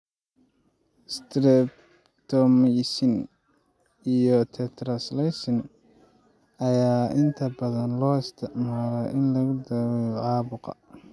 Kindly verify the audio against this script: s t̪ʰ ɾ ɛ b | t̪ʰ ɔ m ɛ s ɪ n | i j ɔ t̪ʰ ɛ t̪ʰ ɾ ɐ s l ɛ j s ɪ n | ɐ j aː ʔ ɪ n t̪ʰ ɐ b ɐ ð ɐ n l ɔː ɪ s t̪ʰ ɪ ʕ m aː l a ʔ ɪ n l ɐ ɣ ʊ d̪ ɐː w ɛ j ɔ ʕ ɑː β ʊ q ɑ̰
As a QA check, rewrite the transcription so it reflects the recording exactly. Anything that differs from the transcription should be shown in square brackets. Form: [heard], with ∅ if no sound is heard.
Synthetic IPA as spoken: s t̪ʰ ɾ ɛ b | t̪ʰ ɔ m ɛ s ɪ n | i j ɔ t̪ʰ ɛ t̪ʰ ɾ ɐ s l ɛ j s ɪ n | ɐ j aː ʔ ɪ n t̪ʰ ɐ b ɐ ð ɐ n l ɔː ɪ s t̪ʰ ɪ ʕ m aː l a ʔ ɪ n l ɐ ɣ ʊ d̪ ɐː w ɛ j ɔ ʕ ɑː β ʊ q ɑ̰